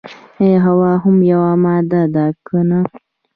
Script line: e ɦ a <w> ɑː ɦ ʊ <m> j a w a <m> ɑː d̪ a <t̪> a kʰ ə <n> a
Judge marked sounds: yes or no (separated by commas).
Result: yes, yes, yes, no, yes